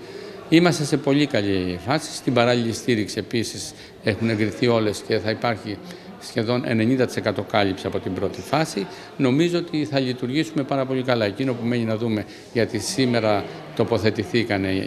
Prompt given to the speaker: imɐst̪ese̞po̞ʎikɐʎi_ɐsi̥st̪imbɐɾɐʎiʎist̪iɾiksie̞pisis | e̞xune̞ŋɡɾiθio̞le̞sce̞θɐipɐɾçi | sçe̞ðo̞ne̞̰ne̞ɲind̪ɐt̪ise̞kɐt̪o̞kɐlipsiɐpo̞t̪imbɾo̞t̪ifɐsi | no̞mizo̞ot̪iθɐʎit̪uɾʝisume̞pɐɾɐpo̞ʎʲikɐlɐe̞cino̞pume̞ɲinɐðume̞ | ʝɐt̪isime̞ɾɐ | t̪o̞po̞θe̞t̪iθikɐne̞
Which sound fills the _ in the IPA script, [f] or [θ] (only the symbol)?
f